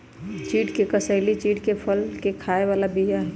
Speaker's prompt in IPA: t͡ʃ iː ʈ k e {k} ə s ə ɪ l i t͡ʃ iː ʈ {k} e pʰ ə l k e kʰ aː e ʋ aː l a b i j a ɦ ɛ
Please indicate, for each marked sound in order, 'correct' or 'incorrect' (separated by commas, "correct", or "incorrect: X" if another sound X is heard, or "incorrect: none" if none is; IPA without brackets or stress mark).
correct, correct